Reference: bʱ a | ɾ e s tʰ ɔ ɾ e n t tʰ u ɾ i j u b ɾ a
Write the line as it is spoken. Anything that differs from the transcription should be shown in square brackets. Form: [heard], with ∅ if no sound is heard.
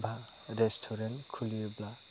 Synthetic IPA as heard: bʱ a | ɾ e s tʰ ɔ ɾ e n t [kʰ] u [l] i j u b [l] a